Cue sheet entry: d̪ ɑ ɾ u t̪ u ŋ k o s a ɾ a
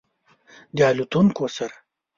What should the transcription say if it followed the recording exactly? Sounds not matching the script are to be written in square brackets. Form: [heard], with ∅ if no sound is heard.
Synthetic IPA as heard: d̪ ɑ [l] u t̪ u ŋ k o s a ɾ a

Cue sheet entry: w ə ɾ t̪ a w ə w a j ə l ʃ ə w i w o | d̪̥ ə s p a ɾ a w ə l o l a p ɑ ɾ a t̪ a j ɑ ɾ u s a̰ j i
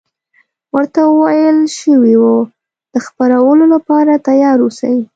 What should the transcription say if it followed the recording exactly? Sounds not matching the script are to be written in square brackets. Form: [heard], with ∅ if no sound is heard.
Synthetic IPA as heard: w ə ɾ t̪ a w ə w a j ə l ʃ ə w i w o | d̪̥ ə [x] p a ɾ a w ə l o l a p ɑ ɾ a t̪ a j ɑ ɾ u s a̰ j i

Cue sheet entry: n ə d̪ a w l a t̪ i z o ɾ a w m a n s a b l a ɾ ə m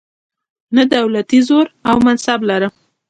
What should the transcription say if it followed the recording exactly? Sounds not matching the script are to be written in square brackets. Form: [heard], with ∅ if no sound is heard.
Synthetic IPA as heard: n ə d̪ a w l a t̪ i z o ɾ a w m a n s a b l a ɾ ə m

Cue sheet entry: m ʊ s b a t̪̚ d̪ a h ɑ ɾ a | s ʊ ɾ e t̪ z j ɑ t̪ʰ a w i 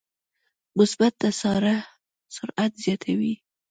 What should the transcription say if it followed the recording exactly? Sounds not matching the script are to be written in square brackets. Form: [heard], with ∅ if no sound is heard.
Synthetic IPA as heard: m ʊ s b a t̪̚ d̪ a [s] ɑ ɾ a | s ʊ ɾ [a] t̪ z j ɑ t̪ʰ a w i

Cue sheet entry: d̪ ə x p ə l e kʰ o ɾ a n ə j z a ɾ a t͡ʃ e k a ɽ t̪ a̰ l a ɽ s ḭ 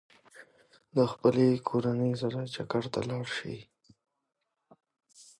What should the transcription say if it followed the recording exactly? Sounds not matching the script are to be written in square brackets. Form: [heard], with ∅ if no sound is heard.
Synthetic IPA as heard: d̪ ə x p ə l e kʰ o ɾ a n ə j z a ɾ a t͡ʃ [a] k a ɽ t̪ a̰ l [ɑ] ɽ [ʃ] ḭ

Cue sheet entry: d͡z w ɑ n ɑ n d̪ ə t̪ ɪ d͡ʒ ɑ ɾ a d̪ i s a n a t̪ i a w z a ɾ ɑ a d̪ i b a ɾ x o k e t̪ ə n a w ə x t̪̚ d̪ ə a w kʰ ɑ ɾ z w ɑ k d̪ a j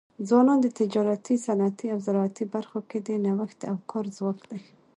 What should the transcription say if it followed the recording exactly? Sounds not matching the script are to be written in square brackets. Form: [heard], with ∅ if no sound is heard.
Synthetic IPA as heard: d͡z w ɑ n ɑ n d̪ ə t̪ ɪ d͡ʒ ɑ ɾ a [t̪] i s a n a t̪ i a w z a ɾ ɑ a [t̪] i b a ɾ x o k e [d̪] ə n a w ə x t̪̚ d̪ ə a w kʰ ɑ ɾ z w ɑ k d̪ a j

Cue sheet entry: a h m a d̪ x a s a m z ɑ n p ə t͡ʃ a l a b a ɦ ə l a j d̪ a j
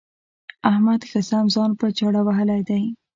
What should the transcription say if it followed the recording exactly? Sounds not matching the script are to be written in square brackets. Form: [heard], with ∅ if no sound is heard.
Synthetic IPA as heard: a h m a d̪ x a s a m z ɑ n p ə t͡ʃ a [ɽ] a [w] a ɦ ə l a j d̪ a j

